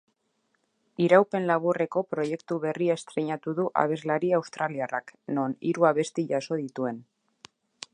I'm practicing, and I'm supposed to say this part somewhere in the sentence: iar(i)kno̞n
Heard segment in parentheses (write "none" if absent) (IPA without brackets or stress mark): a